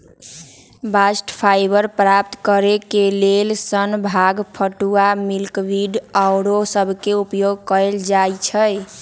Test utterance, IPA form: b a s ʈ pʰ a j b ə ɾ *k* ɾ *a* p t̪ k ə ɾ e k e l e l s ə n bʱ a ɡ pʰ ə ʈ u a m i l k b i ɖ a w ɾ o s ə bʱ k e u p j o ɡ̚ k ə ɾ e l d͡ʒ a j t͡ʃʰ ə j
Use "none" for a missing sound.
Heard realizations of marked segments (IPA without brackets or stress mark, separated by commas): p, a